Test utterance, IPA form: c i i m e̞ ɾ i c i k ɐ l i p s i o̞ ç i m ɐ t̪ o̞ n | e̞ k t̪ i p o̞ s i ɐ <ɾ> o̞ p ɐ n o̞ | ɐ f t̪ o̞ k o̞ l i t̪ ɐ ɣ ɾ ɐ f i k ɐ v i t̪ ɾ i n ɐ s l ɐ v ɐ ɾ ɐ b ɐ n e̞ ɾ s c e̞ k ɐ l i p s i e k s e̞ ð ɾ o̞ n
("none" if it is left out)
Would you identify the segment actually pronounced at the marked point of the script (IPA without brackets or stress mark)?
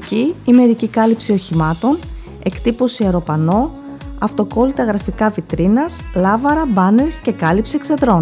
ɾ